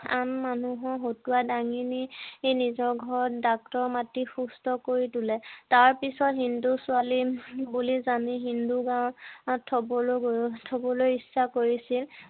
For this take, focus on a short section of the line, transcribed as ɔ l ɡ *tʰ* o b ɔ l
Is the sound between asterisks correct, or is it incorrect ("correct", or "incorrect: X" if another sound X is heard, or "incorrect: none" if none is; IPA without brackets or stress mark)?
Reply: correct